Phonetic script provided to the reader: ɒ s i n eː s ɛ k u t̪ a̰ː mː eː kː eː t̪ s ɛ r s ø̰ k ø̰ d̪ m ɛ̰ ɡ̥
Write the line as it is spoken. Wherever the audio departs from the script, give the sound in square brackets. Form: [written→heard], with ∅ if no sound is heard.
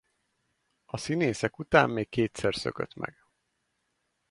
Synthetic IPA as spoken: ɒ s i n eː s ɛ k u t̪ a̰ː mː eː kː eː t̪ s ɛ r s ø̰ k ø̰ [d̪→t̪] m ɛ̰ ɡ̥